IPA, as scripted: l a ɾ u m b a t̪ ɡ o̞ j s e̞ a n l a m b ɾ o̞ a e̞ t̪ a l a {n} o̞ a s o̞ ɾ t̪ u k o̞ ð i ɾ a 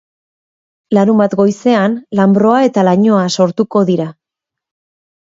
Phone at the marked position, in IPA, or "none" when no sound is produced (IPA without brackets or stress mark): ɲ